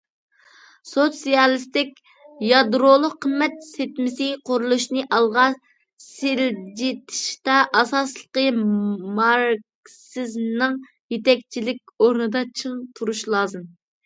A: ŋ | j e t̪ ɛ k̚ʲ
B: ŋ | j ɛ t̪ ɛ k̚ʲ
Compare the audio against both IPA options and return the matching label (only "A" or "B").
A